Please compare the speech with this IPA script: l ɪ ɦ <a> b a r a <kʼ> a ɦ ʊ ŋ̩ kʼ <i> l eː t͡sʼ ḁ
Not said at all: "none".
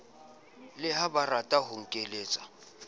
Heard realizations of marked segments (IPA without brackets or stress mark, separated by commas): a, tʼ, e